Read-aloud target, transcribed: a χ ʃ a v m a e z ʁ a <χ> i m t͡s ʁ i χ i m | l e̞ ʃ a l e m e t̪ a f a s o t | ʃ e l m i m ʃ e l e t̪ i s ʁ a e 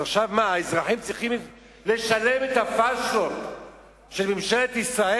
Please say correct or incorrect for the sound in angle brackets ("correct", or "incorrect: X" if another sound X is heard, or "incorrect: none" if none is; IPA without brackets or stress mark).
incorrect: ħ